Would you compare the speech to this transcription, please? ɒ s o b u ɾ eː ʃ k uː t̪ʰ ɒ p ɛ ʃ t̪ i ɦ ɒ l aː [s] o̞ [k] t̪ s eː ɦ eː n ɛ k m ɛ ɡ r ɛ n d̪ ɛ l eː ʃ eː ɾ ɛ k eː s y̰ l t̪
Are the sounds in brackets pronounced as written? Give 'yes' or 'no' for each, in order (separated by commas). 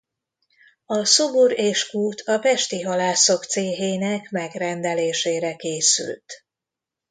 yes, yes